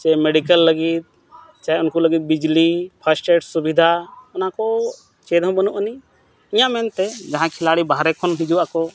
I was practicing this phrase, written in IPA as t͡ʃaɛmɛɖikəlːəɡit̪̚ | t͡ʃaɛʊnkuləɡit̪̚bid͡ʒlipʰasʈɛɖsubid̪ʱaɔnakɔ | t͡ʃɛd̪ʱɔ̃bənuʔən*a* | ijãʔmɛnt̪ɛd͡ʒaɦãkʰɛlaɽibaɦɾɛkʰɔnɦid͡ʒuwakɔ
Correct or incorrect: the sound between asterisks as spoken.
incorrect: i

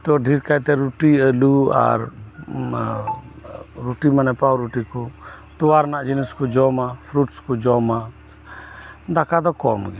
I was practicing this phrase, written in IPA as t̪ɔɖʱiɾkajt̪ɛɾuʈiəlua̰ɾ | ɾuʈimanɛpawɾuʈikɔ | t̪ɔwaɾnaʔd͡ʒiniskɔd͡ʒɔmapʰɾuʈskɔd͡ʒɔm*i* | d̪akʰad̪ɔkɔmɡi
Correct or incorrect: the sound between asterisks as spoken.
incorrect: a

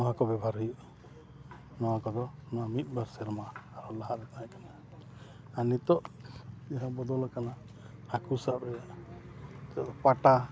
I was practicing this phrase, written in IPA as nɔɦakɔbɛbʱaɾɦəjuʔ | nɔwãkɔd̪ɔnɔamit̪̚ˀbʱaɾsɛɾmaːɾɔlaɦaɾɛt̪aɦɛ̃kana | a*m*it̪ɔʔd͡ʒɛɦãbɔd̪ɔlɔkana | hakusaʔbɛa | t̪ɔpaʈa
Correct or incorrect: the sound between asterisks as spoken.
incorrect: n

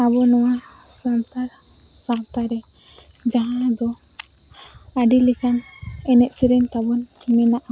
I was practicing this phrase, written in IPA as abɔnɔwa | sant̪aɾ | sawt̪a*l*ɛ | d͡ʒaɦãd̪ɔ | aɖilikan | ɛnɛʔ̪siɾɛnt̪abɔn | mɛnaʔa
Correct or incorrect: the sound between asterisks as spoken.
incorrect: ɾ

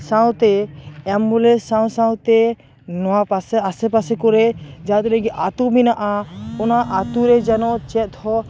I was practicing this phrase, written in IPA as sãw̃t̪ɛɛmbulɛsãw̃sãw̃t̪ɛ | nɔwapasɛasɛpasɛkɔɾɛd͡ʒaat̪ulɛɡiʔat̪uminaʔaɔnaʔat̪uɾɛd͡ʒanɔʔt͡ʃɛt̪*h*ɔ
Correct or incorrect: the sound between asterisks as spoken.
correct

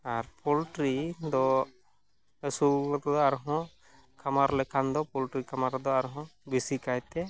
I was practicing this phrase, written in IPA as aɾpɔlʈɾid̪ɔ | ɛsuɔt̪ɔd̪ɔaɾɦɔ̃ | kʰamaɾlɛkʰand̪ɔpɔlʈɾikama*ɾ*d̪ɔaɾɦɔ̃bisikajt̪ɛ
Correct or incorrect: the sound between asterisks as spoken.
correct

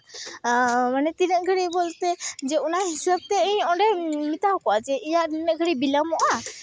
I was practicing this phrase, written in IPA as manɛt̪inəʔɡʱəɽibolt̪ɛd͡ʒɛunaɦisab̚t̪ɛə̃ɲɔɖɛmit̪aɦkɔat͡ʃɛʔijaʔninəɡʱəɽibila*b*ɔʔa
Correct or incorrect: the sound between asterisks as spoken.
incorrect: m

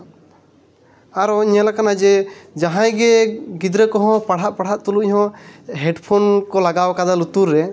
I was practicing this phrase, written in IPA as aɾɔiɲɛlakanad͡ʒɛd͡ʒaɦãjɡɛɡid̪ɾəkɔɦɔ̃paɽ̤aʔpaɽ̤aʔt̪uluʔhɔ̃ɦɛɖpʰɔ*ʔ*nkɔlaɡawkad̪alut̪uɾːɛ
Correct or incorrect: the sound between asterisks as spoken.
incorrect: none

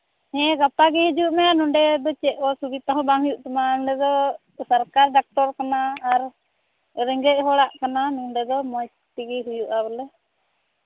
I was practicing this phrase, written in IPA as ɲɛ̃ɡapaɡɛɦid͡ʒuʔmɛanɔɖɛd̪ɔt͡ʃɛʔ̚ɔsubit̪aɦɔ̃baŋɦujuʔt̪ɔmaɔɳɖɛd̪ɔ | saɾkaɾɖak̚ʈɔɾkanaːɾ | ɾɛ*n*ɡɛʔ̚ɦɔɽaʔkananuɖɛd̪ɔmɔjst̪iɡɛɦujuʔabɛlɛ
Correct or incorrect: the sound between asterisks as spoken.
incorrect: ŋ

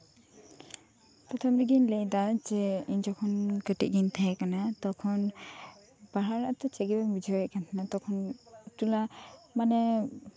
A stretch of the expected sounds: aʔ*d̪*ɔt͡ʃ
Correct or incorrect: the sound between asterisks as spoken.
incorrect: t̪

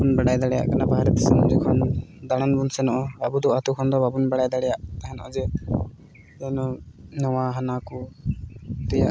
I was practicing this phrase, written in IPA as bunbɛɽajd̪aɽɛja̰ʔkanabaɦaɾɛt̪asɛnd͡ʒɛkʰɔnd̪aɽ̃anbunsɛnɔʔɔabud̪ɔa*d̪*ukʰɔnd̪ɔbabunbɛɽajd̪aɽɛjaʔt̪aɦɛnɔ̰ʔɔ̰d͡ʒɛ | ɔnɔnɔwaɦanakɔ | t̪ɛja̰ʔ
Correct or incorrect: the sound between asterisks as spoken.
incorrect: t̪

